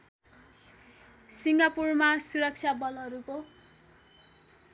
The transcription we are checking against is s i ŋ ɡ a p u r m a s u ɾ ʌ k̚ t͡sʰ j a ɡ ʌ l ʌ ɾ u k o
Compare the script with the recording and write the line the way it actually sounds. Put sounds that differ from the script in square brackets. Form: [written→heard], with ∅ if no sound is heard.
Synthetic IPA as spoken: s i ŋ ɡ a p u r m a s u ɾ ʌ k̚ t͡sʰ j a [ɡ→b] ʌ l ʌ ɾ u k o